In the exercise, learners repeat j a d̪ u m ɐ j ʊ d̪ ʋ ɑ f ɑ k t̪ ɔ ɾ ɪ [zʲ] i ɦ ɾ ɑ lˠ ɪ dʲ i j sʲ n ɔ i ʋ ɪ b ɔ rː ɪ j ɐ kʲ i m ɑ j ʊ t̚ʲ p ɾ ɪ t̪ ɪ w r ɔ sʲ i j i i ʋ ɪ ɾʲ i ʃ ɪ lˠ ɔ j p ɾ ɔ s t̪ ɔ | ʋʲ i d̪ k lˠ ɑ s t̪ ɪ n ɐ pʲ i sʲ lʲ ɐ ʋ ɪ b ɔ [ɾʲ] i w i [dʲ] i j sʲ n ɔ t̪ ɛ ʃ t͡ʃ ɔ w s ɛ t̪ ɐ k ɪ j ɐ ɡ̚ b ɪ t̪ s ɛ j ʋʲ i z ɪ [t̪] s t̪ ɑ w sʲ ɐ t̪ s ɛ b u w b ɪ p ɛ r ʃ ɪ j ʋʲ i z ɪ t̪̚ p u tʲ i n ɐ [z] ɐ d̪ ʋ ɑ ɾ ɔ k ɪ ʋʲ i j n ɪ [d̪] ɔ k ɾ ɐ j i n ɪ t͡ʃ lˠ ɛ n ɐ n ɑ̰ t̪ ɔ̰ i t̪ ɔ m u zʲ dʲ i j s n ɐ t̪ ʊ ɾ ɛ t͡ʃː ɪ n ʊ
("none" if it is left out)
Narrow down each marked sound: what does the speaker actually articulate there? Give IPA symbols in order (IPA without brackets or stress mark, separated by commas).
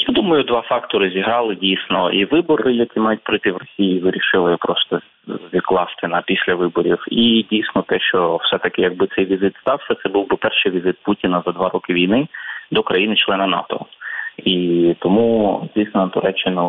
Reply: zʲ, ɾʲ, dʲ, t̪, z, d̪